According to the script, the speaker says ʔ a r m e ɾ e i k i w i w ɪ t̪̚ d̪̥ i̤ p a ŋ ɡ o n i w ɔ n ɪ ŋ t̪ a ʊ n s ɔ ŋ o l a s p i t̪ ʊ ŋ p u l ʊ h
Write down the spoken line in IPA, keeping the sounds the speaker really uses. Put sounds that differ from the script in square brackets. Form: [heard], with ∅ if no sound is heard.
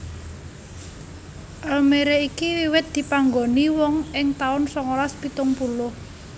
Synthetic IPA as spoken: ʔ a [l] m e ɾ e i k i w i w ɪ t̪̚ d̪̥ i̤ p a ŋ ɡ o n i w ɔ [ŋ] ɪ ŋ t̪ a ʊ n s ɔ ŋ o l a s p i t̪ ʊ ŋ p u l ʊ h